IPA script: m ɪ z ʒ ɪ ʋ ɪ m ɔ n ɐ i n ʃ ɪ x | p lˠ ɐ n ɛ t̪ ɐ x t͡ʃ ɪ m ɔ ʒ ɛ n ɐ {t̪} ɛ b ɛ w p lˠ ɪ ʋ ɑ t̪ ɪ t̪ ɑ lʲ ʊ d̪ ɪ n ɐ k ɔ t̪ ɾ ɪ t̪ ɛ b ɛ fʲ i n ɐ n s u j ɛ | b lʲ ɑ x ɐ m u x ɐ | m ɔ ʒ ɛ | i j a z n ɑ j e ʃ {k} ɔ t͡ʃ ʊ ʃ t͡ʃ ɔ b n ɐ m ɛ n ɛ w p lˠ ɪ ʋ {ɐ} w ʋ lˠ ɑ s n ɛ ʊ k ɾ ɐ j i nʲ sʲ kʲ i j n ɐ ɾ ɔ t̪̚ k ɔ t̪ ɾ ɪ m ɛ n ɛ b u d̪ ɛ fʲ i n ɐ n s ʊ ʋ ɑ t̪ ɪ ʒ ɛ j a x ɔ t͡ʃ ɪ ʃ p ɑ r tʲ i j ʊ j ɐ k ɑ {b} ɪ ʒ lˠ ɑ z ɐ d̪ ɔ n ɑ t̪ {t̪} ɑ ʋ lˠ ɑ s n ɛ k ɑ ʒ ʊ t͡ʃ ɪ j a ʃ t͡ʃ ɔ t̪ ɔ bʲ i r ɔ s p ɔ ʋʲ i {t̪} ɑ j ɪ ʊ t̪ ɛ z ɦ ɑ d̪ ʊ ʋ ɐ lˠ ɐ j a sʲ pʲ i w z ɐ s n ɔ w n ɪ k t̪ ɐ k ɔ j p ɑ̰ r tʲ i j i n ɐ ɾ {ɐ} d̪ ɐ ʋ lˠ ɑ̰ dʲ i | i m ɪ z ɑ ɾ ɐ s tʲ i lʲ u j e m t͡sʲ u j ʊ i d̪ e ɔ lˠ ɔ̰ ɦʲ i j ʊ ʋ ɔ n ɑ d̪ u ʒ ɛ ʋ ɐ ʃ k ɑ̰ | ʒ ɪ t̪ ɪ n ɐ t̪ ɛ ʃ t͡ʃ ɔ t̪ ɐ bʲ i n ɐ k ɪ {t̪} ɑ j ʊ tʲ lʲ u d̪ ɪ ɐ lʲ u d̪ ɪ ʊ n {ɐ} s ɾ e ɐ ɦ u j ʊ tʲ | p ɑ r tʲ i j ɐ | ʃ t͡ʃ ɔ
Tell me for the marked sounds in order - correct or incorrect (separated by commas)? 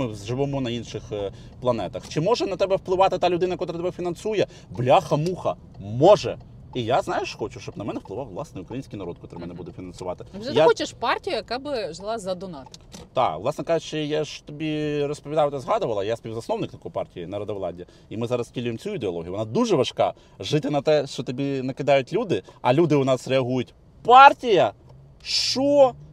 correct, incorrect, incorrect, correct, correct, incorrect, correct, incorrect, incorrect